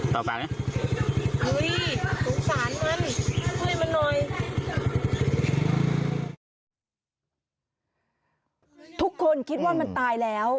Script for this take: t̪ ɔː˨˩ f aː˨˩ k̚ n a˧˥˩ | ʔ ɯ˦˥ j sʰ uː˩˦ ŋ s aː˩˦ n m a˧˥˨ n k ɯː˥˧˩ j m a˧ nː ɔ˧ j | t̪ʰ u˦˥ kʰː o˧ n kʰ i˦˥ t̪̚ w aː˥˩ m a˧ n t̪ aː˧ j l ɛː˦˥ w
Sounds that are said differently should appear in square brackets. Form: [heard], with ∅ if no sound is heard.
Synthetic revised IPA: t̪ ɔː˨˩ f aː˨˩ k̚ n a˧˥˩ | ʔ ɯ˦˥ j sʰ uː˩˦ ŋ s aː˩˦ n m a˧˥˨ n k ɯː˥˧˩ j m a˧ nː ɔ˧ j | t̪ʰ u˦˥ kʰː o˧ n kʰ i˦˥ t̪̚ w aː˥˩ m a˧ n t̪ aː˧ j l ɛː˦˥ w

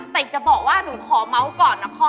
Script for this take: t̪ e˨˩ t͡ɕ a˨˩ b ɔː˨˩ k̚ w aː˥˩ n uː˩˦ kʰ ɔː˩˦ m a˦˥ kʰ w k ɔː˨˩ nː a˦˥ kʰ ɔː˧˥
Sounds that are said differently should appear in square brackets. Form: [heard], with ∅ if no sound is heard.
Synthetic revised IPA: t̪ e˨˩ t͡ɕ a˨˩ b ɔː˨˩ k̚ w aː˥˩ n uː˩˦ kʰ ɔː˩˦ m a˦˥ [∅] w k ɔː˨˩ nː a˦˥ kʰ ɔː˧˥

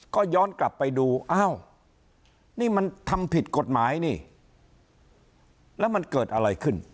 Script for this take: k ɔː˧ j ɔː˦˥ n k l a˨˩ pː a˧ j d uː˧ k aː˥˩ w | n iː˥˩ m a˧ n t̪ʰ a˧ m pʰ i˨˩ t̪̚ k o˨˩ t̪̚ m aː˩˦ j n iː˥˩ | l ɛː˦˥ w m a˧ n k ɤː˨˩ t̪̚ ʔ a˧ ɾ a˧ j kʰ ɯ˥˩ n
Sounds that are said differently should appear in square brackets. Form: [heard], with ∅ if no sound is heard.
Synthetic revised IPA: k [ɔː˥˩] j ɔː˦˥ n k l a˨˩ pː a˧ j d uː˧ [ʔ] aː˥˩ w | n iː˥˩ m a˧ n t̪ʰ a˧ m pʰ i˨˩ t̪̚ k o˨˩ t̪̚ m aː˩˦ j n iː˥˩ | l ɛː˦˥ w m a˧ n k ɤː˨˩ t̪̚ ʔ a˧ ɾ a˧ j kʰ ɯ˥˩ n

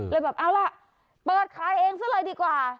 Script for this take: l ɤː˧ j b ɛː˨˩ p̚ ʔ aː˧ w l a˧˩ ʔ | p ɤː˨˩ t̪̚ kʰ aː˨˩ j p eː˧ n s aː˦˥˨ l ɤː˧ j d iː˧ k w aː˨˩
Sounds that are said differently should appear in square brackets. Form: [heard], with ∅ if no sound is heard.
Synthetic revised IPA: l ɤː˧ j b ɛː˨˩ p̚ ʔ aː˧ w l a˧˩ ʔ | p ɤː˨˩ t̪̚ kʰ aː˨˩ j [ʔ] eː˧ [ŋ] s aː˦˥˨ l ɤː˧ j d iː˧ k w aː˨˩

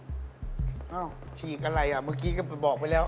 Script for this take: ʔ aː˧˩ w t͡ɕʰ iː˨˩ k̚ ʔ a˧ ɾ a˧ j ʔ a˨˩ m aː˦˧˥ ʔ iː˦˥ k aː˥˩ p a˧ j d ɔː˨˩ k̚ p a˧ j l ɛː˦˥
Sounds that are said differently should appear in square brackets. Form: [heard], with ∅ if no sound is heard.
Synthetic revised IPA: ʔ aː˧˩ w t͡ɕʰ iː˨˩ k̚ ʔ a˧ ɾ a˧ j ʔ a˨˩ m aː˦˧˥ [k] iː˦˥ k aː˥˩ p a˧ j [b] ɔː˨˩ k̚ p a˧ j l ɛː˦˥

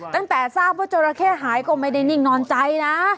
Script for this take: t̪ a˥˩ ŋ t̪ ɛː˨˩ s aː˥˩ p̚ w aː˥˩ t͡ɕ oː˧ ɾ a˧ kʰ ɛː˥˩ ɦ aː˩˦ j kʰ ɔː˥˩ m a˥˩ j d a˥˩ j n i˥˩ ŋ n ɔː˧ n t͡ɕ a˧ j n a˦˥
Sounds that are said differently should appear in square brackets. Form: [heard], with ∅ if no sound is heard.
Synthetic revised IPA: t̪ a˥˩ ŋ t̪ ɛː˨˩ s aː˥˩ p̚ w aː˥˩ t͡ɕ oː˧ ɾ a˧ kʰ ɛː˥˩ ɦ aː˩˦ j [k] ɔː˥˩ m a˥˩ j d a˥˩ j n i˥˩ ŋ n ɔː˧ n t͡ɕ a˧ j n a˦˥

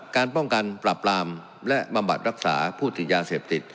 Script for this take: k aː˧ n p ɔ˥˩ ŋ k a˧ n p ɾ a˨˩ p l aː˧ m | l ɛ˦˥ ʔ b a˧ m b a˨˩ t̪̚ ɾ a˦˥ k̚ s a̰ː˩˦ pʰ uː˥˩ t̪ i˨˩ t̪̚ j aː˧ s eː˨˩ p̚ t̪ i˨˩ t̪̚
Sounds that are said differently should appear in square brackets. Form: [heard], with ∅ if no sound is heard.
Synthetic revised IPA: k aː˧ n p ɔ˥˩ ŋ k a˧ n p ɾ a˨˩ p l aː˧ m | l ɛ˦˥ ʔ b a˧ m b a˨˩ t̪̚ ɾ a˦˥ k̚ s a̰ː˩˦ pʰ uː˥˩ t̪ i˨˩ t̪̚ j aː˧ s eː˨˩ p̚ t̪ i˨˩ t̪̚

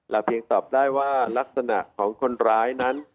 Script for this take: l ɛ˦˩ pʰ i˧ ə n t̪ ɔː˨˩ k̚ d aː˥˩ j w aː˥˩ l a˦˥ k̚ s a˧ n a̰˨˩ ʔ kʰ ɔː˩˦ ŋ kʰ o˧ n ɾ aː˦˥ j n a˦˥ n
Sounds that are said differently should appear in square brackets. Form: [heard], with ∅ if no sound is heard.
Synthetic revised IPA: l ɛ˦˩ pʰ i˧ ə [ŋ] t̪ ɔː˨˩ [p̚] d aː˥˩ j w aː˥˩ l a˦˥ k̚ s a˧ n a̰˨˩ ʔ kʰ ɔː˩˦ ŋ kʰ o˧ n ɾ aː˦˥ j n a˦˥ n

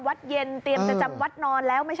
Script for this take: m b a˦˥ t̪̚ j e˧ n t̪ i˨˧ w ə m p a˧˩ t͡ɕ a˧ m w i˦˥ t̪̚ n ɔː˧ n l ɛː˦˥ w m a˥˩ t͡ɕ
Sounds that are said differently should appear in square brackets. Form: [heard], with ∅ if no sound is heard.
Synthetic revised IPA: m [w] a˦˥ t̪̚ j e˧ n t̪ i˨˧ [∅] ə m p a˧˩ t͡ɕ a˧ m w [a˦˥] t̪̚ n ɔː˧ n l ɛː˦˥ w m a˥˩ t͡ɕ

